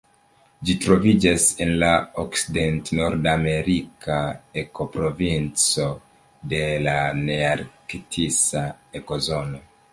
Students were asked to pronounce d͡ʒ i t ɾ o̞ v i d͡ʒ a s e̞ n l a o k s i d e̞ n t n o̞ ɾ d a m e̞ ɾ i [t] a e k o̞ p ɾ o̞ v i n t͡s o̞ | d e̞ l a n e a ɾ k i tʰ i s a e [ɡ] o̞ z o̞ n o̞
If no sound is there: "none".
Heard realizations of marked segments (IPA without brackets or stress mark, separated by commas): k, k